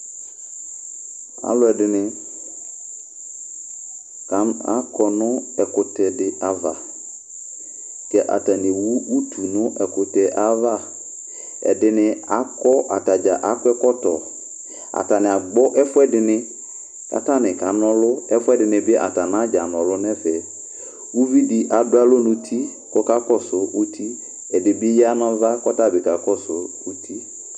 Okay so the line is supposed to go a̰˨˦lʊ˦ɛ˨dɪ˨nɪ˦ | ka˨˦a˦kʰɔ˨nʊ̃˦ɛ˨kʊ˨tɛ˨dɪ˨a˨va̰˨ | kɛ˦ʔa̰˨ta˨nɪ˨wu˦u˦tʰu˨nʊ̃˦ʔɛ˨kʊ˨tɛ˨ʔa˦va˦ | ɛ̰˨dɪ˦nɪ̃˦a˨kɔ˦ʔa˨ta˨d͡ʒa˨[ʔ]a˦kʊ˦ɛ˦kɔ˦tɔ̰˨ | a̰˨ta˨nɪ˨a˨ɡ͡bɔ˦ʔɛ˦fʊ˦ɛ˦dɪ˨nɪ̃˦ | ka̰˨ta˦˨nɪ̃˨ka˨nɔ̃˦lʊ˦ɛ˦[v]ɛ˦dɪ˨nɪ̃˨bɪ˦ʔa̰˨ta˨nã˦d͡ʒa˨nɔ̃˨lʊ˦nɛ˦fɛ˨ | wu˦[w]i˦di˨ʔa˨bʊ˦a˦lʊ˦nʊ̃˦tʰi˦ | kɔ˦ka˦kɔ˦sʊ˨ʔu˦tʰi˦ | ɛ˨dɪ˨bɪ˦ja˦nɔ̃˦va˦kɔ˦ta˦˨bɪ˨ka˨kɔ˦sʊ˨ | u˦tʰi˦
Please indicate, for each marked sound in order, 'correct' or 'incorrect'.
correct, incorrect, incorrect

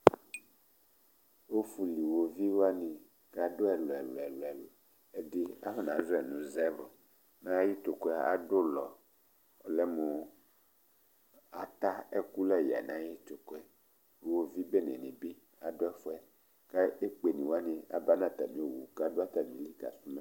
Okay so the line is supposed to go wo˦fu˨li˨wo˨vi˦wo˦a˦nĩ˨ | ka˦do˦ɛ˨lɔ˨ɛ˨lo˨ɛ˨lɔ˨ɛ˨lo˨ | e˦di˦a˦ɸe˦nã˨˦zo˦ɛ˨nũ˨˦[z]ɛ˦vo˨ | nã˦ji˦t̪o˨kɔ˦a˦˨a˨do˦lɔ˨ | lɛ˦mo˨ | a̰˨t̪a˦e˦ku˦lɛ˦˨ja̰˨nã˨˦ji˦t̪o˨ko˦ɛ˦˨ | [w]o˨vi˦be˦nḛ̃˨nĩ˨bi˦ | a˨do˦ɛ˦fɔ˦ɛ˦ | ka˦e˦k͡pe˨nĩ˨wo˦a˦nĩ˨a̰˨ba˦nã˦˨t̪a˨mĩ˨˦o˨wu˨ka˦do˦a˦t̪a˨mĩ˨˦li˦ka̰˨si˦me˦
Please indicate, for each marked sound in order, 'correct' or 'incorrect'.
correct, correct

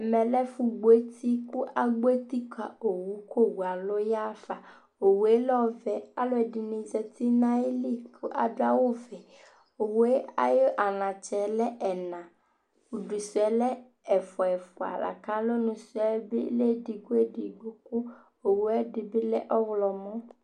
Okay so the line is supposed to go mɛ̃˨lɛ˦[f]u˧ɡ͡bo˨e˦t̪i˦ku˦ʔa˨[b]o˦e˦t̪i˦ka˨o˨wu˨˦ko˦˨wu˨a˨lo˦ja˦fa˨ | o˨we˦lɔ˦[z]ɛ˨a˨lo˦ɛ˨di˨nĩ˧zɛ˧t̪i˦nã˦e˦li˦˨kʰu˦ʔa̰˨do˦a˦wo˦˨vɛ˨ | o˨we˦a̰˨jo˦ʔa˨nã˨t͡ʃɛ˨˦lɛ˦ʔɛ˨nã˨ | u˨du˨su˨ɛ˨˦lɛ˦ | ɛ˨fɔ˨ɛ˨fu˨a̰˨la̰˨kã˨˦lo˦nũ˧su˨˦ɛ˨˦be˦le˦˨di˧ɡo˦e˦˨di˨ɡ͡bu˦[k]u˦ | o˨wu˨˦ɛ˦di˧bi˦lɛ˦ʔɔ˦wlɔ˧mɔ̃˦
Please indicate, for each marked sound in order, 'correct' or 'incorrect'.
correct, incorrect, incorrect, correct

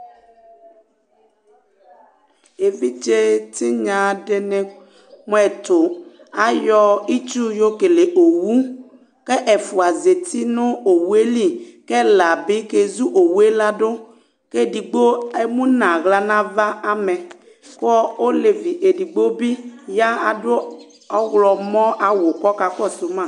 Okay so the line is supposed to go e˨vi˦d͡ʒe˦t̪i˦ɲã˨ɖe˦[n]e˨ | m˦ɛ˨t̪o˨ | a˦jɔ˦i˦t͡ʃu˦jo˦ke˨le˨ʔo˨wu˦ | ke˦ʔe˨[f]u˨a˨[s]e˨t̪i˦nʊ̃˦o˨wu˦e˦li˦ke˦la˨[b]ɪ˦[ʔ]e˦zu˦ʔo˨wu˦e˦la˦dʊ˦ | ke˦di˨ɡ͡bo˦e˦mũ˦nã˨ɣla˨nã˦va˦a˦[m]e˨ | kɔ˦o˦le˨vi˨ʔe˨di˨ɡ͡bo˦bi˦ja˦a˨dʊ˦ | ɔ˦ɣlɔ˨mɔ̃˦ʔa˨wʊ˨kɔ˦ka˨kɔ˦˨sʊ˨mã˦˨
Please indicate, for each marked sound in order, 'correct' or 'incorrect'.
correct, correct, incorrect, correct, incorrect, correct

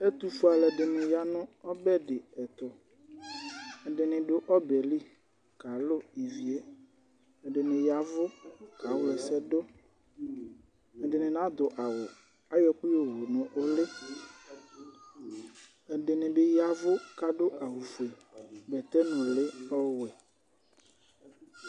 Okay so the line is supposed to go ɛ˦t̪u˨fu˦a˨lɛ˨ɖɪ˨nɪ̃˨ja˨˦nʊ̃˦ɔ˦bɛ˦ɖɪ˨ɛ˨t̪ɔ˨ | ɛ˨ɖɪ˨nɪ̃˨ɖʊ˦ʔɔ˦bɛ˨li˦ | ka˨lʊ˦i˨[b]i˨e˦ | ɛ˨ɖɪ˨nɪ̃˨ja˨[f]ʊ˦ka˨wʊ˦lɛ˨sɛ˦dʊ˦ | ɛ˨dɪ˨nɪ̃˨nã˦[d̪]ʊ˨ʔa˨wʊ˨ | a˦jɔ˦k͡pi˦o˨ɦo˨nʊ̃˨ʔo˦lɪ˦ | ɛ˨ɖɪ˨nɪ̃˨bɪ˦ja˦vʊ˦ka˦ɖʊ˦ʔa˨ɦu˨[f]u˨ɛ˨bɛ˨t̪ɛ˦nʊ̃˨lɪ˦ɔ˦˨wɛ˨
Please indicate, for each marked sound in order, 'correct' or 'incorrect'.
incorrect, incorrect, correct, correct

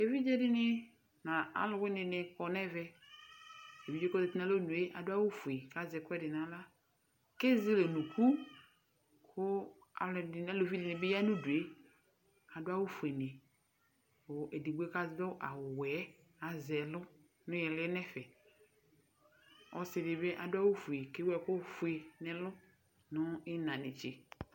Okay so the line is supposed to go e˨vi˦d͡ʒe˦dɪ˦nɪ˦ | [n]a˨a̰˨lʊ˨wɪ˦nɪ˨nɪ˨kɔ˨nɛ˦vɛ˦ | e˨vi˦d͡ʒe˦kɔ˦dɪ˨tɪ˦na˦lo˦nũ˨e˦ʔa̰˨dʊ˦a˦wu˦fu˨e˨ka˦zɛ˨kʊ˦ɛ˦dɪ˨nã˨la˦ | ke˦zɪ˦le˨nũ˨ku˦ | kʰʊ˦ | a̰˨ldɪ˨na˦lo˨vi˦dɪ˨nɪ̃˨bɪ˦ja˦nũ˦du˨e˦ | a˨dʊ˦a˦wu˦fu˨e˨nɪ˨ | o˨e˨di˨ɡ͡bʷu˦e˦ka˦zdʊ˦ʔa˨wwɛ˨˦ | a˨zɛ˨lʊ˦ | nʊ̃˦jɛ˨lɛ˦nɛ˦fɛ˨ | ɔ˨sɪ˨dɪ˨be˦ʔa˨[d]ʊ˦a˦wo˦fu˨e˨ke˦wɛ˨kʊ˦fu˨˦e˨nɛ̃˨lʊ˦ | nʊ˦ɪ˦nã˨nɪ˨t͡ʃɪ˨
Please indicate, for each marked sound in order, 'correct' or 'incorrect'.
correct, correct

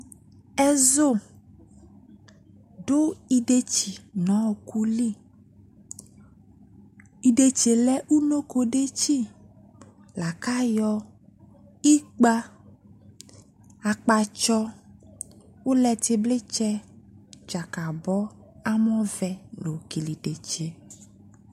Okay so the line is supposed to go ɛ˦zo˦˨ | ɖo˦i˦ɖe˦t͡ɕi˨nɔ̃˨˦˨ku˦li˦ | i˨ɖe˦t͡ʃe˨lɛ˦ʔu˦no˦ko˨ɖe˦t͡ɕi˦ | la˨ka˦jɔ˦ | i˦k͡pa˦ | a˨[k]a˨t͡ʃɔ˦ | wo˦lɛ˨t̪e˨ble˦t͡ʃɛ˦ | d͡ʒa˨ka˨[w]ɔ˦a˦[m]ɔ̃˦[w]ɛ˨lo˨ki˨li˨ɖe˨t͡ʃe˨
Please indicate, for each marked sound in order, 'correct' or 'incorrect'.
incorrect, incorrect, correct, incorrect

